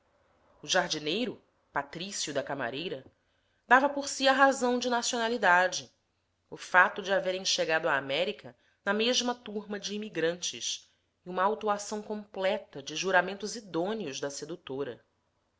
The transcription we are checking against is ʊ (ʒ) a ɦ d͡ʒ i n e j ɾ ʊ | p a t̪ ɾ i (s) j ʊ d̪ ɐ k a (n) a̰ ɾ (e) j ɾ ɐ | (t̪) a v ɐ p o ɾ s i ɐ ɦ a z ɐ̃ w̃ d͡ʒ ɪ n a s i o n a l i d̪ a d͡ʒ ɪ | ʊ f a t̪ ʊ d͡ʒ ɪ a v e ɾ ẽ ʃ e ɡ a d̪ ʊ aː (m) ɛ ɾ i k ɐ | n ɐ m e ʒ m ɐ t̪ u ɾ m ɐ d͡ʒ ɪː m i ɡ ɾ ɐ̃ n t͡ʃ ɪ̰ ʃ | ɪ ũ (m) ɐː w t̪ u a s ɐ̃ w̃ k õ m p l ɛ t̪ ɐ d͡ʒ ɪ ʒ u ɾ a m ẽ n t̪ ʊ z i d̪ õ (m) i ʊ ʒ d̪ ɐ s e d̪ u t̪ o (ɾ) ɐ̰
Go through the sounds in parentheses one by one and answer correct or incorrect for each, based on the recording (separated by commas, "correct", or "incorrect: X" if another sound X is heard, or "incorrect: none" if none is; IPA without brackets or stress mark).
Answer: correct, correct, incorrect: m, correct, incorrect: d̪, correct, correct, incorrect: n, correct